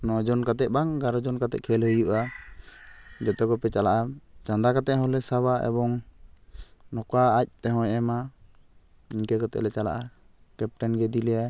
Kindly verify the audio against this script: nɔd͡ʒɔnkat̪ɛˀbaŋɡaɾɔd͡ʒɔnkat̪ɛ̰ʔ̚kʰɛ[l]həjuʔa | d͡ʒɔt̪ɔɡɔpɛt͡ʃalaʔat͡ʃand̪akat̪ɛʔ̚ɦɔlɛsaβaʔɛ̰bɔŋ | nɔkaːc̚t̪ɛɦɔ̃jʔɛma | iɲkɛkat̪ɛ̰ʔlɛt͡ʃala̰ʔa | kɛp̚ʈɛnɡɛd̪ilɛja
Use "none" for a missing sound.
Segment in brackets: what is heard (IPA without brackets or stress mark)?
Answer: l